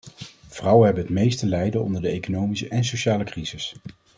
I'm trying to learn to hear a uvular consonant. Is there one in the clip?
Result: no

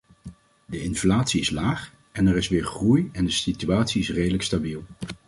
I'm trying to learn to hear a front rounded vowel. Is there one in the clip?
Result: yes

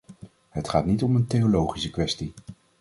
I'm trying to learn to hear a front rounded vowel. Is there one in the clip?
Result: no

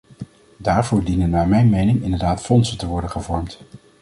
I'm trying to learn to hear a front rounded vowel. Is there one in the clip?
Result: no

